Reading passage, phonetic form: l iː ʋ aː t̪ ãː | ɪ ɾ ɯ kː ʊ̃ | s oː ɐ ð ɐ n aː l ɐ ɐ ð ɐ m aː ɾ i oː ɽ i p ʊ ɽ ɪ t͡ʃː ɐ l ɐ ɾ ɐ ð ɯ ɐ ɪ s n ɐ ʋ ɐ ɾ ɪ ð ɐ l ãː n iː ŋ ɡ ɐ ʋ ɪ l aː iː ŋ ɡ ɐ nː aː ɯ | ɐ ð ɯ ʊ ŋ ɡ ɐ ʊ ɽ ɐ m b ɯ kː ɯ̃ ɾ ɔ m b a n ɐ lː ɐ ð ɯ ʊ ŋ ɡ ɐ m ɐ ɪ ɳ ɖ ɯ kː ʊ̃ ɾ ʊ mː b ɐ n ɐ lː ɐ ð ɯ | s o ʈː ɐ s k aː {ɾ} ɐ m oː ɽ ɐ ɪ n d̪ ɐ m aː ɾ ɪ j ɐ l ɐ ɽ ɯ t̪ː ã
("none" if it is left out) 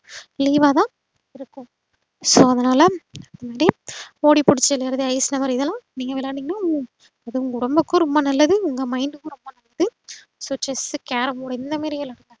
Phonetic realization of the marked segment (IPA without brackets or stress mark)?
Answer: ɾ